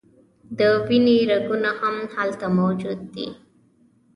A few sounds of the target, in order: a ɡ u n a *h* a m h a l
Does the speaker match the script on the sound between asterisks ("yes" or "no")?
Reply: yes